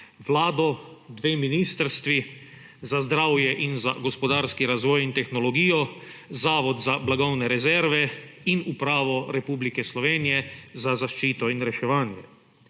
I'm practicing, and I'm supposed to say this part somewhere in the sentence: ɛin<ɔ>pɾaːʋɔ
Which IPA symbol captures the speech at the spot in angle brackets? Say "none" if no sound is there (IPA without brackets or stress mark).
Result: u